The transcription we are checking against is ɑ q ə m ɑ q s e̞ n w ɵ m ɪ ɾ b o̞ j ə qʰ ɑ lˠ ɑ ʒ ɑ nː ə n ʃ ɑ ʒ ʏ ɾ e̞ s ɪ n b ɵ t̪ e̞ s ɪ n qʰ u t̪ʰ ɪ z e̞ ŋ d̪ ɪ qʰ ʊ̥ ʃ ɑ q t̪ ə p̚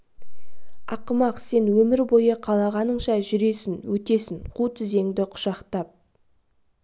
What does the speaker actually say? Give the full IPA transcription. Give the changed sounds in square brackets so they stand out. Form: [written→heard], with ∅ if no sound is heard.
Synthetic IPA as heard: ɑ q ə m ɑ q s e̞ n w ɵ m ɪ ɾ b o̞ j ə qʰ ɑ lˠ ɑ [ʒ→ʁ] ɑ [nː→n] ə [n→ɴ] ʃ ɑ ʒ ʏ ɾ e̞ s ɪ n [b→w] ɵ t̪ e̞ s ɪ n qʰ u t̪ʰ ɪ z e̞ ŋ d̪ ɪ qʰ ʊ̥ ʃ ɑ q t̪ [ə→ɑ] p̚